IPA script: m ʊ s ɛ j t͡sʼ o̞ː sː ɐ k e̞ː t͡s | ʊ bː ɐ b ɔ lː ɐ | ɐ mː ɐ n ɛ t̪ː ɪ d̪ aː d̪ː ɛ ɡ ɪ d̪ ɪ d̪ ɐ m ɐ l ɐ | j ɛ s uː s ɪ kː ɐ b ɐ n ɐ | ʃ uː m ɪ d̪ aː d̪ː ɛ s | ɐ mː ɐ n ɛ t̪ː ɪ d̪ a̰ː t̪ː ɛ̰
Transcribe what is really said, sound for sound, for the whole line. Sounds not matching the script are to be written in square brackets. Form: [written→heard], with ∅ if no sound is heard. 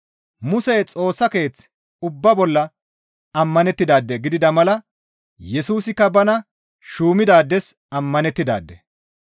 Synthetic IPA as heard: m ʊ s ɛ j t͡sʼ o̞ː sː ɐ k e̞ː t͡s | ʊ bː ɐ b ɔ lː ɐ | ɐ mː ɐ n ɛ t̪ː ɪ d̪ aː d̪ː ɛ ɡ ɪ d̪ ɪ d̪ ɐ m ɐ l ɐ | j ɛ s uː s ɪ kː ɐ b ɐ n ɐ | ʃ uː m ɪ d̪ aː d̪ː ɛ s | ɐ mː ɐ n ɛ t̪ː ɪ d̪ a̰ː [t̪ː→d̪ː] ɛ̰